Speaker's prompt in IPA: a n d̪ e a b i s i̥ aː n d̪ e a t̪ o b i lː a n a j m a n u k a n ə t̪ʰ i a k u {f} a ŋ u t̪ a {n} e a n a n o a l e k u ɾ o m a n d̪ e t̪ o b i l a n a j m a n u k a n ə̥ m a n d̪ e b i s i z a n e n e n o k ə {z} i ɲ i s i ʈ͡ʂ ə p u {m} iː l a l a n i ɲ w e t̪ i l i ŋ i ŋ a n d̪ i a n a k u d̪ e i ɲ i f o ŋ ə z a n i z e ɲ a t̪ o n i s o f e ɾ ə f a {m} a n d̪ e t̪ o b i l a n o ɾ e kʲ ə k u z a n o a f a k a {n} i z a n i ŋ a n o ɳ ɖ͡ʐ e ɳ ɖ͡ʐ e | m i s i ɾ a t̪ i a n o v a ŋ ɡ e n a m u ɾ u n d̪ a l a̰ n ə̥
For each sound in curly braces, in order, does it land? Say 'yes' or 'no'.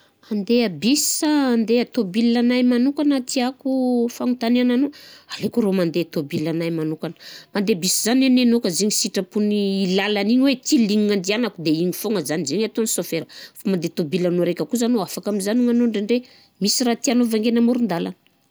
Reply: yes, yes, yes, no, yes, no

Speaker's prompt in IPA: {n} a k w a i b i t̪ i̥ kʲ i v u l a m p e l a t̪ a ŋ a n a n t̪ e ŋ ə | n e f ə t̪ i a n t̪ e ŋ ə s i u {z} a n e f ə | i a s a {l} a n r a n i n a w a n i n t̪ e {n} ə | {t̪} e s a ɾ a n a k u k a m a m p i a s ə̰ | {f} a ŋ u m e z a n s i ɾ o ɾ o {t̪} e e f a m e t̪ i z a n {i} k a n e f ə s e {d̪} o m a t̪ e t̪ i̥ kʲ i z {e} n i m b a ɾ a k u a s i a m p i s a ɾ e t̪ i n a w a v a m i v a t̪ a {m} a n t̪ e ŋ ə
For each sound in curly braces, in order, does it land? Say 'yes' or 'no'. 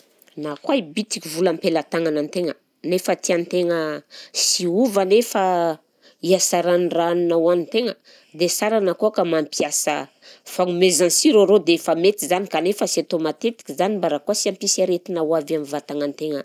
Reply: yes, no, no, no, no, yes, no, yes, no, no, no

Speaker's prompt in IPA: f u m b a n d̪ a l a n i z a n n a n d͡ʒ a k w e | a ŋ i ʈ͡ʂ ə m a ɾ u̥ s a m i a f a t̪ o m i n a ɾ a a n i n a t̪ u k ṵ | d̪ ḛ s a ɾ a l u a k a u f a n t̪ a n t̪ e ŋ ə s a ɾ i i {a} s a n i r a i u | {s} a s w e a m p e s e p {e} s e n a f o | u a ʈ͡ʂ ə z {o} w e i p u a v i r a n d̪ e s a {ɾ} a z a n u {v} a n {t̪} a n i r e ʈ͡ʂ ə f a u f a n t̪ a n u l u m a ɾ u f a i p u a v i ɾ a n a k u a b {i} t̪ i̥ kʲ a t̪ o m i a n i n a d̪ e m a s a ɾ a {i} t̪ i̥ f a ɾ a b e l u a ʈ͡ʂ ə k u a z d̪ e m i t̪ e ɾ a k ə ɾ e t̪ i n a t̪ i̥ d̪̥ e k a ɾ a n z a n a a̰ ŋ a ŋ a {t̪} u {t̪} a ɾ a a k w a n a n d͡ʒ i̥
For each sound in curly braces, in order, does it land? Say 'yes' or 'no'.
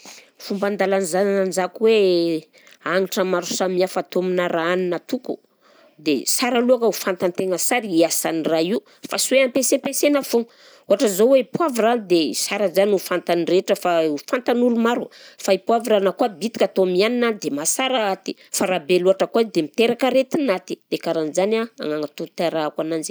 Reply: yes, no, yes, yes, yes, no, yes, yes, no, yes, yes

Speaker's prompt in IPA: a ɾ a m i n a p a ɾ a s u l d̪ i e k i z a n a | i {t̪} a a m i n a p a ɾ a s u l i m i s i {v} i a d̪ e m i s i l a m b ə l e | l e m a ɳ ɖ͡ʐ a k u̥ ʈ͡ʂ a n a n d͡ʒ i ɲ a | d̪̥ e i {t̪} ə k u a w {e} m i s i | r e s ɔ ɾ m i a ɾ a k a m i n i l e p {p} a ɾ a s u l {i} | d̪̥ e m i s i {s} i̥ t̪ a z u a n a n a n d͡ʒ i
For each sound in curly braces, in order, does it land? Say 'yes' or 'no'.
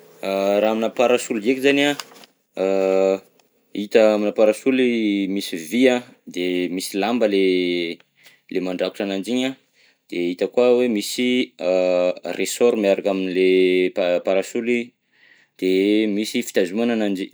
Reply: yes, yes, yes, yes, yes, yes, no

